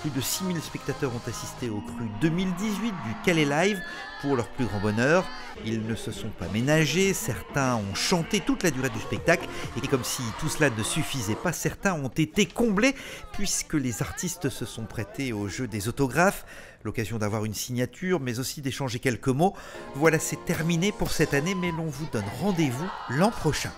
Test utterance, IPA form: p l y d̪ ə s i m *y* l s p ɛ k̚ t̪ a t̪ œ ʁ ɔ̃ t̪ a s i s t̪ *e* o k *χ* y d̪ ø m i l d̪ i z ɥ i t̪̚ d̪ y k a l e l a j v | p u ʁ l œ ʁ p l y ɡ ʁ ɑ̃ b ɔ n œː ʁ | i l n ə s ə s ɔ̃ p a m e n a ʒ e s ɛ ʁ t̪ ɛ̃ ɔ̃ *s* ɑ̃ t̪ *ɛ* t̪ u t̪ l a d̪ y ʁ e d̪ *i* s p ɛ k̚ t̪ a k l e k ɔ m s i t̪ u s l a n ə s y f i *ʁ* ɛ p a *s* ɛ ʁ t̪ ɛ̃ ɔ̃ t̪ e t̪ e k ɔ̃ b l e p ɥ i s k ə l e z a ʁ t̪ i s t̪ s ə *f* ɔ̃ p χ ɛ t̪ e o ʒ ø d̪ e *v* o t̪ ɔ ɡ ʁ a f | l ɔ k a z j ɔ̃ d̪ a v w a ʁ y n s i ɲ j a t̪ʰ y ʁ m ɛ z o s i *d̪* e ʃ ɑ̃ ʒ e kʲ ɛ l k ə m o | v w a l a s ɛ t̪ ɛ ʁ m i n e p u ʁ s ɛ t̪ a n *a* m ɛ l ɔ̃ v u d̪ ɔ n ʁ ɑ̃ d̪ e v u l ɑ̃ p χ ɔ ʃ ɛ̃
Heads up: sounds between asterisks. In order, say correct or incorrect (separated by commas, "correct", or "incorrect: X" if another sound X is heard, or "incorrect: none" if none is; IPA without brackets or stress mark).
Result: incorrect: i, correct, correct, incorrect: ʃ, incorrect: e, incorrect: y, incorrect: z, correct, incorrect: s, incorrect: z, correct, incorrect: e